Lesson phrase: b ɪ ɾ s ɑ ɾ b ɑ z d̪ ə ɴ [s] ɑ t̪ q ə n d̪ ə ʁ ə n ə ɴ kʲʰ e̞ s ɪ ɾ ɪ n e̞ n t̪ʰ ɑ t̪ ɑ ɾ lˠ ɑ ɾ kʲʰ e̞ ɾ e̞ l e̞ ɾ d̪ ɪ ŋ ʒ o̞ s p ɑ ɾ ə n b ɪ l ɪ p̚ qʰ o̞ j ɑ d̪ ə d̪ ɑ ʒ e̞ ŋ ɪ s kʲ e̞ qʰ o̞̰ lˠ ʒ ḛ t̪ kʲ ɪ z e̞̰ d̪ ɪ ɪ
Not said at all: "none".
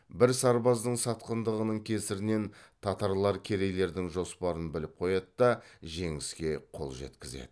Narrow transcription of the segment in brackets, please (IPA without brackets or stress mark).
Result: s